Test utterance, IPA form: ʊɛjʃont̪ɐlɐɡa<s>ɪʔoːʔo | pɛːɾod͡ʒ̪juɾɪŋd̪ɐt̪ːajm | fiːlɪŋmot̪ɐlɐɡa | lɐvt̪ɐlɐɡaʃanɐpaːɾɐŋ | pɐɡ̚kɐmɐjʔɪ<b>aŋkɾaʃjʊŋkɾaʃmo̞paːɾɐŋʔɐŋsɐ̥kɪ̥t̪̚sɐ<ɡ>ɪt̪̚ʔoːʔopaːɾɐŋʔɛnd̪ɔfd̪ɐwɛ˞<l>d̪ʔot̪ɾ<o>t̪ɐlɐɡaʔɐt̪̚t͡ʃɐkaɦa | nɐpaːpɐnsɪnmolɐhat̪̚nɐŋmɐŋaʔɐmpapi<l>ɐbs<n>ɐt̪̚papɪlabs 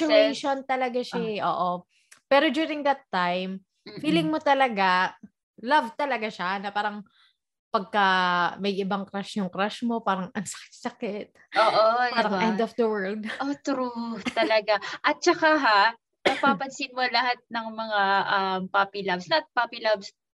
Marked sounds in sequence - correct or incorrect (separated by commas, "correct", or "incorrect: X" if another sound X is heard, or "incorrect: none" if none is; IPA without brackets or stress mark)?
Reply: incorrect: ʃ, correct, incorrect: k, correct, incorrect: u, correct, correct